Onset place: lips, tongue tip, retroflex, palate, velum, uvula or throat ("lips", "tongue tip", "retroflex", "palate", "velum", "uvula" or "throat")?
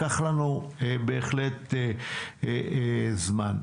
uvula